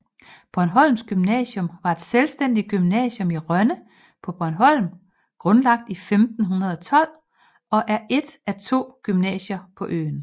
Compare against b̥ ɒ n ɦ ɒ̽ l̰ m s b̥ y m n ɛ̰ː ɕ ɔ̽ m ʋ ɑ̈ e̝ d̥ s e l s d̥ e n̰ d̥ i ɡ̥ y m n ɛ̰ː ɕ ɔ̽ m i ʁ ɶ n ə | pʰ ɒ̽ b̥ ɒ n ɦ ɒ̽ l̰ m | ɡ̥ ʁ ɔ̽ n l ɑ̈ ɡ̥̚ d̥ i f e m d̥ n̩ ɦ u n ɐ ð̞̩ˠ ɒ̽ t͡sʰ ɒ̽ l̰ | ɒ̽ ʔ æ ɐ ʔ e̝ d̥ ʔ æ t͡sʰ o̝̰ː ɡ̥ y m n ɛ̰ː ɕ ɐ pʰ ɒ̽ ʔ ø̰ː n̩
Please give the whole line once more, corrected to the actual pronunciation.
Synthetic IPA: b̥ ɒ n ɦ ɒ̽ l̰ m s ɡ̥ y m n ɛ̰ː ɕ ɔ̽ m ʋ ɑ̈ e̝ d̥ s e l s d̥ e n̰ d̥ i ɡ̥ y m n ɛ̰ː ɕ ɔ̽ m i ʁ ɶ n ə | pʰ ɒ̽ b̥ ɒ n ɦ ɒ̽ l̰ m | ɡ̥ ʁ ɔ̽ n l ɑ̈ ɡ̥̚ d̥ i f e m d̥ n̩ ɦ u n ɐ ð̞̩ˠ ɒ̽ t͡sʰ ɒ̽ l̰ | ɒ̽ ʔ æ ɐ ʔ e̝ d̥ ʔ æ t͡sʰ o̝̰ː ɡ̥ y m n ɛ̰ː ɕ ɐ pʰ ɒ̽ ʔ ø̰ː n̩

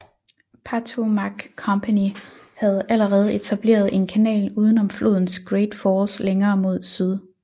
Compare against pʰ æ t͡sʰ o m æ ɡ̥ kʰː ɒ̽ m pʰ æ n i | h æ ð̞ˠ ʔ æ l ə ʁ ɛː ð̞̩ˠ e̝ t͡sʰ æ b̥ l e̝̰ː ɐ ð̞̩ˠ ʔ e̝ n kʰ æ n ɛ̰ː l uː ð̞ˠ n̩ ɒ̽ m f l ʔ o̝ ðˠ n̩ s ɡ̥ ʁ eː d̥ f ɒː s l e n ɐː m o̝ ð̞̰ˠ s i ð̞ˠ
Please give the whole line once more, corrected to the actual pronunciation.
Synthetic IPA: pʰ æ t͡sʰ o m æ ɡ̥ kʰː ɒ̽ m pʰ æ n i | h æ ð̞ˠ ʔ æ l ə ʁ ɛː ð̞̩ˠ e̝ t͡sʰ æ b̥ l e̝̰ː ɐ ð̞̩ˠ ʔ e̝ n kʰ æ n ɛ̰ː l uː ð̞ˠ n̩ ɒ̽ m f l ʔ o̝ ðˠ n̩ s ɡ̥ ʁ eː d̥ f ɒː s l e ŋ ɐː m o̝ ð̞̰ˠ s y ð̞ˠ

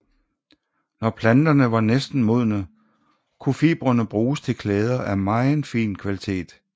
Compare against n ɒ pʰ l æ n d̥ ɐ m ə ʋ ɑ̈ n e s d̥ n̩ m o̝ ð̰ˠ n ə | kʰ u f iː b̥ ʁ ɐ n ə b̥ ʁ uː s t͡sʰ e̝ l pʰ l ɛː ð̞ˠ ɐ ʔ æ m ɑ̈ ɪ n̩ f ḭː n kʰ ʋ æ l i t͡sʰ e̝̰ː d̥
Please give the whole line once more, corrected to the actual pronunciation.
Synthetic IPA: n ɒ pʰ l æ n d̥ ɐ n ə ʋ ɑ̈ n e s d̥ n̩ m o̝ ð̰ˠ n ə | kʰ u f iː b̥ ʁ ɐ n ə b̥ ʁ uː s t͡sʰ e̝ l kʰ l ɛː ð̞ˠ ɐ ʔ æ m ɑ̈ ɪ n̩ f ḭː n kʰ ʋ æ l i t͡sʰ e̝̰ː d̥

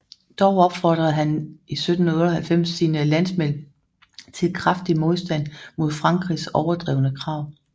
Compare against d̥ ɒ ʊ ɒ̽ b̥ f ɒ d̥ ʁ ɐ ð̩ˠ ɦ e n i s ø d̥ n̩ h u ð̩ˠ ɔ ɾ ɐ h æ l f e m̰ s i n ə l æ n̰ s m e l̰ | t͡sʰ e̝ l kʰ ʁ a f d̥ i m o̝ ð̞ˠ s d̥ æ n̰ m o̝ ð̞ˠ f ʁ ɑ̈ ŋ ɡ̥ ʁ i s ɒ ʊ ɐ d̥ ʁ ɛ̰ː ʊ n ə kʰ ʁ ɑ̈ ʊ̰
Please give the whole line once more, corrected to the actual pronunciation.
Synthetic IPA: d̥ ɒ ʊ ɒ̽ b̥ f ɒ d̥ ʁ ɐ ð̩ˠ ɦ æ n i s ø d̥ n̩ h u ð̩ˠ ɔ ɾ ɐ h æ l f e m̰ s i n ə l æ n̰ s m e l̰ | t͡sʰ e̝ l kʰ ʁ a f d̥ i m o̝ ð̞ˠ s d̥ æ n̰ m o̝ ð̞ˠ f ʁ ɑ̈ ŋ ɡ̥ ʁ i s ɒ ʊ ɐ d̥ ʁ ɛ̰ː ʊ n ə kʰ ʁ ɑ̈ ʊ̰

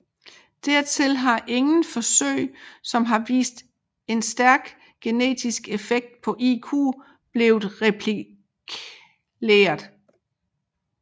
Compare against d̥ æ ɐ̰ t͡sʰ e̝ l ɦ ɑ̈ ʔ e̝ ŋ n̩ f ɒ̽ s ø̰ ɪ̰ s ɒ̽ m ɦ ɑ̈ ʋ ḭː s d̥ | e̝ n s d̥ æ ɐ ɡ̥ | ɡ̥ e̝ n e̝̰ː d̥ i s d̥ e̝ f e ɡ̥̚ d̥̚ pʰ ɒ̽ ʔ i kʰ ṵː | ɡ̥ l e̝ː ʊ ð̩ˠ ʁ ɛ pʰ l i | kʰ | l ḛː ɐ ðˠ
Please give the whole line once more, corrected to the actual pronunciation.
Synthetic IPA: d̥ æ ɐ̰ t͡sʰ e̝ l ɦ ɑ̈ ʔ e̝ ŋ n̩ f ɒ̽ s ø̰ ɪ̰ s ɒ̽ m ɦ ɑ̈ ʋ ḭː s d̥ | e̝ n s d̥ æ ɐ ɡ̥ | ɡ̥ e̝ n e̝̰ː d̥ i s ɡ̥ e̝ f e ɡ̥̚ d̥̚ pʰ ɒ̽ ʔ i kʰ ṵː | b̥ l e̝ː ʊ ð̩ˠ ʁ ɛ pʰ l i | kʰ | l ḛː ɐ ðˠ

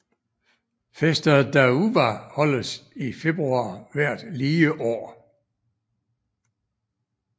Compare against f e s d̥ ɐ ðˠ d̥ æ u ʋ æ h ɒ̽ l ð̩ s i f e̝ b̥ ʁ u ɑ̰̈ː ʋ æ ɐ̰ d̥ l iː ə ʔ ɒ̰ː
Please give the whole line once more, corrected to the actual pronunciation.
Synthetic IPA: f e s d̥ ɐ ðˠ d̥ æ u ʋ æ h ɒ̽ l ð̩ s i f e̝ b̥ ʁ u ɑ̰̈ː ʋ æ ɐ̰ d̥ l iː ə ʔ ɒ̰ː

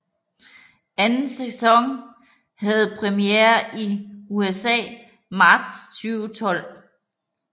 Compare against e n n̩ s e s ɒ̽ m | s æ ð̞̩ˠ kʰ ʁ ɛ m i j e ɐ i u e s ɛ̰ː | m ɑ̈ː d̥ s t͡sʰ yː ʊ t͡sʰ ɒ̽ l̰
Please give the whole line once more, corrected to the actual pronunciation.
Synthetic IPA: æ n n̩ s e s ɒ̽ ŋ | h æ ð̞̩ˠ pʰ ʁ ɛ m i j e ɐ i u e s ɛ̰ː | m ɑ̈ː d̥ s t͡sʰ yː ʊ t͡sʰ ɒ̽ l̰

